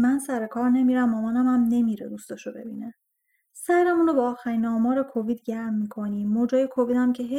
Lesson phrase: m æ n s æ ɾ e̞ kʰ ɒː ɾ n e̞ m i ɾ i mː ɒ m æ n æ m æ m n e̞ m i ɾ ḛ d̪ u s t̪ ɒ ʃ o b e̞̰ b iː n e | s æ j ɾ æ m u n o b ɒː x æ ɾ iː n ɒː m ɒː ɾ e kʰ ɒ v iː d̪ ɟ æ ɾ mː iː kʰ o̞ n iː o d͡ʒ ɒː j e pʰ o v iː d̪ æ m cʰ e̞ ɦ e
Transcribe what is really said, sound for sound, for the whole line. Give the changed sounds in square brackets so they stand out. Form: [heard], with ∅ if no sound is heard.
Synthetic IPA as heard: m æ n s æ ɾ e̞ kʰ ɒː ɾ n e̞ m i ɾ [æ] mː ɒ m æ n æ m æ m n e̞ m i ɾ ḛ d̪ u s t̪ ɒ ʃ o b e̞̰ b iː n e | s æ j ɾ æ m u n o b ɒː x æ ɾ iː n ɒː m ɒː ɾ e kʰ [o] v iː d̪ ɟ æ ɾ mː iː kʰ o̞ n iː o d͡ʒ ɒː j e [kʰ] o v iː d̪ æ m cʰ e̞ ɦ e